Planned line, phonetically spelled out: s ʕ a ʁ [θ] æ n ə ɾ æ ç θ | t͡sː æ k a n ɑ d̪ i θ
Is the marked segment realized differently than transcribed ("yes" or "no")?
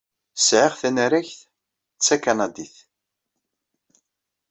no